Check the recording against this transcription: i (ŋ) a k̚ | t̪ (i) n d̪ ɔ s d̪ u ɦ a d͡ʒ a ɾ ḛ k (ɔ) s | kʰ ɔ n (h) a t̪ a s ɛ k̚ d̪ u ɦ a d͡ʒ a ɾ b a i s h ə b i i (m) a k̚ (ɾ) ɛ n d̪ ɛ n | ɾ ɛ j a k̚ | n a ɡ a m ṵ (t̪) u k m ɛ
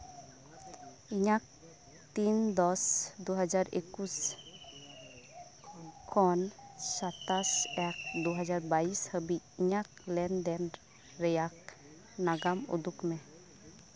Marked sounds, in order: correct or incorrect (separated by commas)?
incorrect, correct, incorrect, incorrect, incorrect, incorrect, incorrect